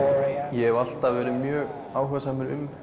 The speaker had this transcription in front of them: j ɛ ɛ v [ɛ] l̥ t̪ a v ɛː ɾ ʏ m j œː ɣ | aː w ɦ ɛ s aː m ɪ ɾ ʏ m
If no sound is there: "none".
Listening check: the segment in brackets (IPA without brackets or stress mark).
a